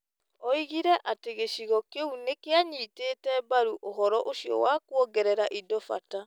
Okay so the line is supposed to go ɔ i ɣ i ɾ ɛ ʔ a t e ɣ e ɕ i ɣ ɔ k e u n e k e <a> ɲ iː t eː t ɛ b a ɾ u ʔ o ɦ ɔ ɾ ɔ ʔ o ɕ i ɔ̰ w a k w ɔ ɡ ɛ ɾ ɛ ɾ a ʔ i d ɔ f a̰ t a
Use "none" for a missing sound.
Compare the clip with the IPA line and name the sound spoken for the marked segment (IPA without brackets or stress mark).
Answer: a